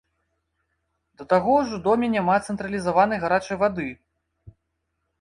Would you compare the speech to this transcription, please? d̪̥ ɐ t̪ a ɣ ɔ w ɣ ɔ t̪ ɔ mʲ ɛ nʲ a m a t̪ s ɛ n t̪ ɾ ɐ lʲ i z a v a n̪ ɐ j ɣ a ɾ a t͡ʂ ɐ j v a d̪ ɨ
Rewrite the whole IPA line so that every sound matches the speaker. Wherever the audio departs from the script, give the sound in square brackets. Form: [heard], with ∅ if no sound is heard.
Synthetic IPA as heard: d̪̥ ɐ t̪ a ɣ ɔ w [ʐ] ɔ [d̪] ɔ mʲ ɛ nʲ a m a t̪ s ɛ n t̪ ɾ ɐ lʲ i z a v a n̪ ɐ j ɣ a ɾ a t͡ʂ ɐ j v a d̪ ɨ